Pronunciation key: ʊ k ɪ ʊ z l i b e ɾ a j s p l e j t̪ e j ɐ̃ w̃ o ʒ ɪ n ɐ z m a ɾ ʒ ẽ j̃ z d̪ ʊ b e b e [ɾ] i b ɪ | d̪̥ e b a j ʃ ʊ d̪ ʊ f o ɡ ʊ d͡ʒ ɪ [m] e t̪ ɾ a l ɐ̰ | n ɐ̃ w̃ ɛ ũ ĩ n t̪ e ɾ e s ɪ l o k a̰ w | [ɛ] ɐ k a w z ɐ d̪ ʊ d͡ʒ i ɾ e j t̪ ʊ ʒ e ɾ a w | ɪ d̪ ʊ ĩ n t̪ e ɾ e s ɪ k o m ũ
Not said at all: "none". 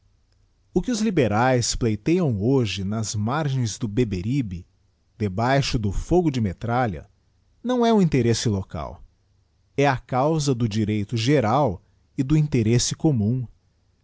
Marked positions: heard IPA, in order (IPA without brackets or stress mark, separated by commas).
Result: ɾ, m, ɛ